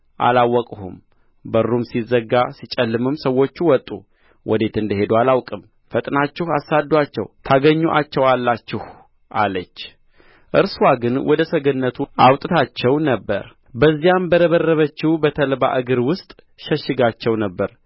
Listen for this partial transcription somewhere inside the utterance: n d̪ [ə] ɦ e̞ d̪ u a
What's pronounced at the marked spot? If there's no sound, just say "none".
ə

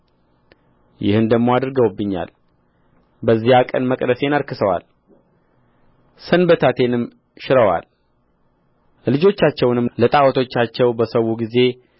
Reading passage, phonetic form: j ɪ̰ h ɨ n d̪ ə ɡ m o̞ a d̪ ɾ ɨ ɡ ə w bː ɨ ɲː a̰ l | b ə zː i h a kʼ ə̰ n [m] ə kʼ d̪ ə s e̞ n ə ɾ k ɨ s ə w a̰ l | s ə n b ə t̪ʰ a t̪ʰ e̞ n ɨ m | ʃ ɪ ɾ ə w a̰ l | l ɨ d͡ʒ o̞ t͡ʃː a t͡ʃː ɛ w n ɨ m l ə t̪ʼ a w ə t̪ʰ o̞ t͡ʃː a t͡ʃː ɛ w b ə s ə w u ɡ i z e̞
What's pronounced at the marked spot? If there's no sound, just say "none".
m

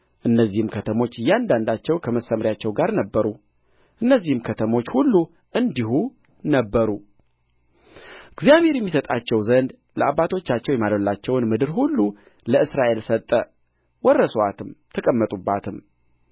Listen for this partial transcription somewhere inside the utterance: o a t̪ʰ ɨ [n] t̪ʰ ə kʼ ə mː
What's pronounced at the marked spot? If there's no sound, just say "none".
m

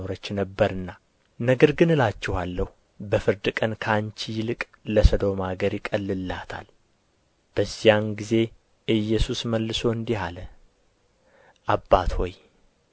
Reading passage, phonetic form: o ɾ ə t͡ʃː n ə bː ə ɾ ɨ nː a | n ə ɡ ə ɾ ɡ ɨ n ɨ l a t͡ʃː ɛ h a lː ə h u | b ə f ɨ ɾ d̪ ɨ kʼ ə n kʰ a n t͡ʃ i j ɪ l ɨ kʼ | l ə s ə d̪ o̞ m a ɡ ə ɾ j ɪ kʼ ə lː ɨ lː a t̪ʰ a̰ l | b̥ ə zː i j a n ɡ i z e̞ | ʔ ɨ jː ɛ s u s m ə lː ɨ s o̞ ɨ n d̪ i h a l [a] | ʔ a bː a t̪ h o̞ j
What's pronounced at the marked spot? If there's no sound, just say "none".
ə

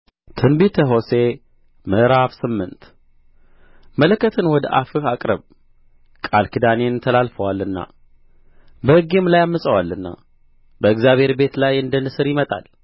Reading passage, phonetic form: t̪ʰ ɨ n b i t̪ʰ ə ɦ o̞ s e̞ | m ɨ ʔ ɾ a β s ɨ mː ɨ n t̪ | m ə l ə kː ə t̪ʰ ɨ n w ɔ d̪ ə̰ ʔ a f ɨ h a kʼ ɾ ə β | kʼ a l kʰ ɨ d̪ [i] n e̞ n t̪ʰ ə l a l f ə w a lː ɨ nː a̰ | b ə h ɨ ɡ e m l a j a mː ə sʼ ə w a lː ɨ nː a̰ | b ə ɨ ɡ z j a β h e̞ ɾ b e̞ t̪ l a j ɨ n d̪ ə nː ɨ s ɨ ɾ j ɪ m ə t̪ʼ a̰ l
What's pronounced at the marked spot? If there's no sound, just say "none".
a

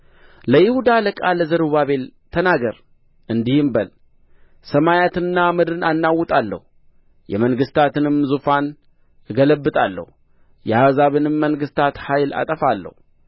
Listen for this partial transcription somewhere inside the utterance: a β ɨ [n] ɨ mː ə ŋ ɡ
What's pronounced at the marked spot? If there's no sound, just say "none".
n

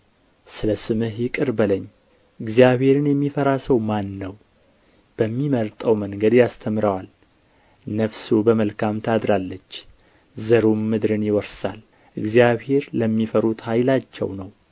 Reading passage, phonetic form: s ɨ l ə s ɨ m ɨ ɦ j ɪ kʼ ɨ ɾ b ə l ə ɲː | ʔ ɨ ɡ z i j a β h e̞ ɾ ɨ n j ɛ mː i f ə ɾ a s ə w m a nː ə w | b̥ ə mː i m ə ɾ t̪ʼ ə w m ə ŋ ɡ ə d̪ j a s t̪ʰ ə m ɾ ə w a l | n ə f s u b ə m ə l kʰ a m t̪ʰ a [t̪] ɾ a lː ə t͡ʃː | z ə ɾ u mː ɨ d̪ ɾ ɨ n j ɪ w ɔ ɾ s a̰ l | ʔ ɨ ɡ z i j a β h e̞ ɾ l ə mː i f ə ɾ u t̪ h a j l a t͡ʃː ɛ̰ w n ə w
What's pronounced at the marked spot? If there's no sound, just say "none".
d̪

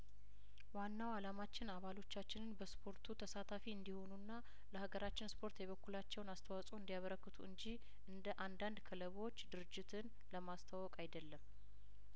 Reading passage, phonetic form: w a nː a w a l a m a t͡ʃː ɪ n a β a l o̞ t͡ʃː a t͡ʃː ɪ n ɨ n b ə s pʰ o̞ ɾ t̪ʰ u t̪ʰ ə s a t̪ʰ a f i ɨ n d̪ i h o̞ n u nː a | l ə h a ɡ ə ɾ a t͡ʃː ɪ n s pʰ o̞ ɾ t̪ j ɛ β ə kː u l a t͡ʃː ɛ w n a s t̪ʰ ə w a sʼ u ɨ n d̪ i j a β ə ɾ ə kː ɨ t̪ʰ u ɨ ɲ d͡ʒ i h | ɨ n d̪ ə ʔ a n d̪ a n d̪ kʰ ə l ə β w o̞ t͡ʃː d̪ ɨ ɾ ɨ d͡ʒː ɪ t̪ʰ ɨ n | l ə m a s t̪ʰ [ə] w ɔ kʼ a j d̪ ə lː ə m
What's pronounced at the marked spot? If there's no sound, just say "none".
a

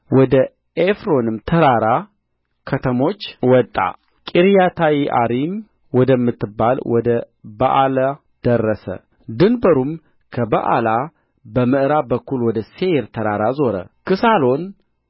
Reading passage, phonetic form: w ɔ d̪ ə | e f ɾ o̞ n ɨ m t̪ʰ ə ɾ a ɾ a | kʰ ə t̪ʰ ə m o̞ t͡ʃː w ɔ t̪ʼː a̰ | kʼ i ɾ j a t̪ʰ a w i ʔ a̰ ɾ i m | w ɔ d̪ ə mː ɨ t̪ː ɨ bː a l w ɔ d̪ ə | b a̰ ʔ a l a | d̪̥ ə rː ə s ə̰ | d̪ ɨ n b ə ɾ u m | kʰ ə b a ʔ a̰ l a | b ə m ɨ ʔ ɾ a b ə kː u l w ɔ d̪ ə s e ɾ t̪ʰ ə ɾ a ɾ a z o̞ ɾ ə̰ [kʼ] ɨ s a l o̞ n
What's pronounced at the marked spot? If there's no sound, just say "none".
k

